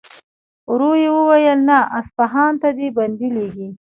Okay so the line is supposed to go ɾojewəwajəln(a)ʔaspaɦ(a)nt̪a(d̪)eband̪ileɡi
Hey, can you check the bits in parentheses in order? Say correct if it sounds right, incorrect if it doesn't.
correct, incorrect, correct

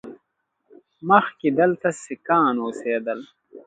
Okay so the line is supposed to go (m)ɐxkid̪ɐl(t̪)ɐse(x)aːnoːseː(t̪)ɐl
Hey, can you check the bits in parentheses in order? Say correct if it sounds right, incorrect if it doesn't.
correct, correct, incorrect, incorrect

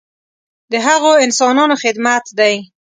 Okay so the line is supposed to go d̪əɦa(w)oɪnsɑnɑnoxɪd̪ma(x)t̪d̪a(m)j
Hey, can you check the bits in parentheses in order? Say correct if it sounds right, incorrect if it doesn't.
incorrect, incorrect, incorrect

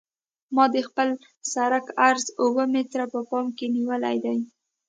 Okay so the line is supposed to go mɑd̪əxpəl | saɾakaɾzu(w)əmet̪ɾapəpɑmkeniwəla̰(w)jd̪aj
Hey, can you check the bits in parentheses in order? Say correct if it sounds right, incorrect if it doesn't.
correct, incorrect

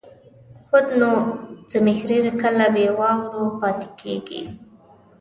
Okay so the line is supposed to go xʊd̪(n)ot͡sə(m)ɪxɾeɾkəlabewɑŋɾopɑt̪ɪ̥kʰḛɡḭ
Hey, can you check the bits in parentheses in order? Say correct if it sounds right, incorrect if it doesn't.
correct, correct

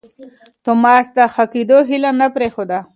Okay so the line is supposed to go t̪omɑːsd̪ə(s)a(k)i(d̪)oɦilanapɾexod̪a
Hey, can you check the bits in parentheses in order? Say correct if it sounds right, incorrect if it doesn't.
incorrect, correct, correct

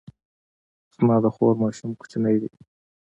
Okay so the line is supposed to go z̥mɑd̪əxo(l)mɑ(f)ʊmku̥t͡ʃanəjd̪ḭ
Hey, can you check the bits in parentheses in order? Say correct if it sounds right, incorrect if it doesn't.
incorrect, incorrect

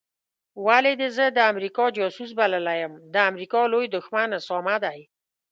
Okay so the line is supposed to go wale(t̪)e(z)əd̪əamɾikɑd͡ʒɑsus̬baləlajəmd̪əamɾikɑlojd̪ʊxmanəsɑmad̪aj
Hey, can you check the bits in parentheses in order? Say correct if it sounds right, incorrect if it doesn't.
incorrect, correct

